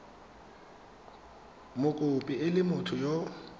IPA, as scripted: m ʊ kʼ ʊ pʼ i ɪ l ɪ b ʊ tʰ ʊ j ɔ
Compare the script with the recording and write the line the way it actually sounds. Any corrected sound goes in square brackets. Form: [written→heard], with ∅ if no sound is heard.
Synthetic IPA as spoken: m ʊ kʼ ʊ pʼ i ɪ l ɪ [b→m] ʊ tʰ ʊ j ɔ